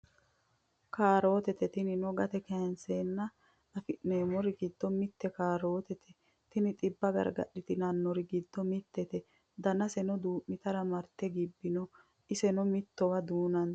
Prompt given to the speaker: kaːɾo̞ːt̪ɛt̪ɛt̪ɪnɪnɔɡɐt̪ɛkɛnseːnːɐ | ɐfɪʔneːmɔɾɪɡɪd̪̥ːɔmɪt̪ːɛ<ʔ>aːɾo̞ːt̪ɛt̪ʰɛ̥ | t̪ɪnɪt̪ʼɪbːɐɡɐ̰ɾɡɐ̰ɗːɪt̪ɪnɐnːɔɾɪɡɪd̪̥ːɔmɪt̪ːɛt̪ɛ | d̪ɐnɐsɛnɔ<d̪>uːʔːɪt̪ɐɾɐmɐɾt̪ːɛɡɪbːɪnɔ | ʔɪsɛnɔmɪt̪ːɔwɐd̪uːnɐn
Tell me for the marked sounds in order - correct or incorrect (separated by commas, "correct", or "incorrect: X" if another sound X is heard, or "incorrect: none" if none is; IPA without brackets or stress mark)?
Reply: incorrect: k, correct